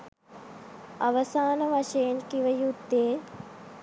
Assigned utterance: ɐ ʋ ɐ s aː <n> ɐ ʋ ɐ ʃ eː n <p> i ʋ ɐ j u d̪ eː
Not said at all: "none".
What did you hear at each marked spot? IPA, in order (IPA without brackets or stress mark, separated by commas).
n, k